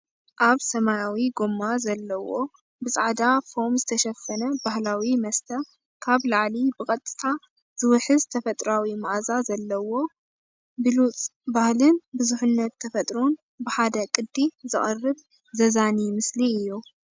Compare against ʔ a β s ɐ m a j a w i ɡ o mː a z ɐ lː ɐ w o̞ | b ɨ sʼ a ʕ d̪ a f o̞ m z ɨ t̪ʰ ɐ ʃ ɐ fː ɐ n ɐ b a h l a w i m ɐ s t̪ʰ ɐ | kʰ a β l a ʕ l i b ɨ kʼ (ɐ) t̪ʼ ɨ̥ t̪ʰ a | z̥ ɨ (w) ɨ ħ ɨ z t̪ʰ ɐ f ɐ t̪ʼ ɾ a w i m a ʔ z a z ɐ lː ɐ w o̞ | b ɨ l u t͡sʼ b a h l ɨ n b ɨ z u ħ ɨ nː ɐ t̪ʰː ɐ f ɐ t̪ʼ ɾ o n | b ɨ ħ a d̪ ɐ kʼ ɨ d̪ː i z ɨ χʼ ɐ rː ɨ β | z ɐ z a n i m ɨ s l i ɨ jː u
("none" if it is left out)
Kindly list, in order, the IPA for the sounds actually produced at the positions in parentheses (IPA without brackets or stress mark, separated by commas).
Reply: ɐ, w